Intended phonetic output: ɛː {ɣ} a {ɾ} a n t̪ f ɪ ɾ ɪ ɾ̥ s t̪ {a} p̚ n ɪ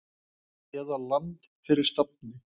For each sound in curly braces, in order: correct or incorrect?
incorrect: ð, incorrect: l, correct

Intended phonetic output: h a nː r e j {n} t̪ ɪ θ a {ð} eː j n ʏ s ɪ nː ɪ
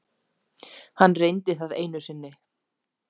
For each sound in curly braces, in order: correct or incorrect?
correct, correct

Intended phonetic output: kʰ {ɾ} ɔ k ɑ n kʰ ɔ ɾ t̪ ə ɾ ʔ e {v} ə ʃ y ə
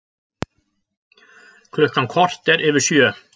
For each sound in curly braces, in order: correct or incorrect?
incorrect: l, incorrect: ʋ

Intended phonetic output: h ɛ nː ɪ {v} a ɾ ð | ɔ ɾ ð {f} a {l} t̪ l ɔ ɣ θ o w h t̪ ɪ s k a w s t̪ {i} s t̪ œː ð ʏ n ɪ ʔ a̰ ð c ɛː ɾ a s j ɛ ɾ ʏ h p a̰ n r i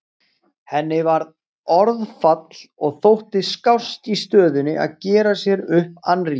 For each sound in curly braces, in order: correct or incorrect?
correct, correct, incorrect: none, correct

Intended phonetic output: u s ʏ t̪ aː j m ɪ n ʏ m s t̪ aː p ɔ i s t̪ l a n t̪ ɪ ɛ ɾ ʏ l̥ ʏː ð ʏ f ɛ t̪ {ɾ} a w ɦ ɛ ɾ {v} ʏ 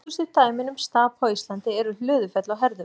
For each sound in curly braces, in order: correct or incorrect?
incorrect: l, incorrect: ð

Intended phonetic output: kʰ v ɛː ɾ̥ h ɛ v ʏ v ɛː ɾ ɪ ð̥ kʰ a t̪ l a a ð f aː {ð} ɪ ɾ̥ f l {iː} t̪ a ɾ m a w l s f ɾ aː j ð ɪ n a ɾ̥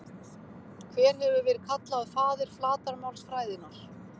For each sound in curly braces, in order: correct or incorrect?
correct, incorrect: aː

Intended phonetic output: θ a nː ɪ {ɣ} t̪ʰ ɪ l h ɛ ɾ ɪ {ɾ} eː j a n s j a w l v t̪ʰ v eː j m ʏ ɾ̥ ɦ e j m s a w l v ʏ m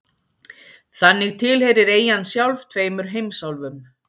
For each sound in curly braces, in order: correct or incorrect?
correct, correct

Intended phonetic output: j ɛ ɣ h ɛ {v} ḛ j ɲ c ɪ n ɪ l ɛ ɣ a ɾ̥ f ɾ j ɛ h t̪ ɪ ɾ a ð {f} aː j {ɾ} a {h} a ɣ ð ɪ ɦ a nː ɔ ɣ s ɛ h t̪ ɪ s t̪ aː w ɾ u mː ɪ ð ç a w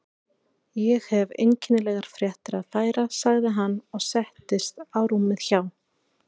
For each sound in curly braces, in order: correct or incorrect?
correct, correct, correct, incorrect: s

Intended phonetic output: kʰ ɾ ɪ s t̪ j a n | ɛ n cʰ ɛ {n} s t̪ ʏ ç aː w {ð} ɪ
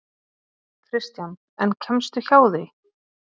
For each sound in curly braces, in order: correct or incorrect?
incorrect: m, correct

